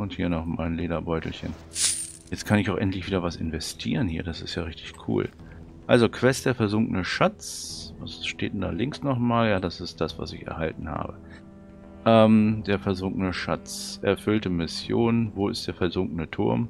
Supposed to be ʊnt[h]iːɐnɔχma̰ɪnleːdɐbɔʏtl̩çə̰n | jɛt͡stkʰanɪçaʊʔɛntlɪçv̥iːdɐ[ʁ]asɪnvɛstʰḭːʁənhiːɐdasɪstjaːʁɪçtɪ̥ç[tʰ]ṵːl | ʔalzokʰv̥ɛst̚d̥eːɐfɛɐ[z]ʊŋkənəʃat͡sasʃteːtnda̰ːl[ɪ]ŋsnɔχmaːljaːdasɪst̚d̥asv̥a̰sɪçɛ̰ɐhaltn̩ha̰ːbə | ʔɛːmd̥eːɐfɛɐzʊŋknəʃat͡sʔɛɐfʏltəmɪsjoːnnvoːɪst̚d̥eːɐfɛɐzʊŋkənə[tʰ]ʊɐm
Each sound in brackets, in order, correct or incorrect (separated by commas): correct, incorrect, incorrect, correct, correct, correct